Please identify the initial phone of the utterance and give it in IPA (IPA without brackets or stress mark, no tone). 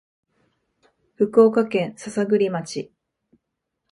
ɸ